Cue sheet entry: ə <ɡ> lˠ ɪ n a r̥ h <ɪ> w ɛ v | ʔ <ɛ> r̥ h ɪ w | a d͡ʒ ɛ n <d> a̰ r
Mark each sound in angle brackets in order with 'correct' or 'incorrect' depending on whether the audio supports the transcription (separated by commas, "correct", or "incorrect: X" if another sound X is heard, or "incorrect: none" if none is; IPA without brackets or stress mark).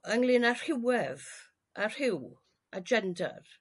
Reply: incorrect: ŋ, correct, incorrect: a, correct